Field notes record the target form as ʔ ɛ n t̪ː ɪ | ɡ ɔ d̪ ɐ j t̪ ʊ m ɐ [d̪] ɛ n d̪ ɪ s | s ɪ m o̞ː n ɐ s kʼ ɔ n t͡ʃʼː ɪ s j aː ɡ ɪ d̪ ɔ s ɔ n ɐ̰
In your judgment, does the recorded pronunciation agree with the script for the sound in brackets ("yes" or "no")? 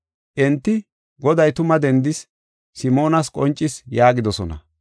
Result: yes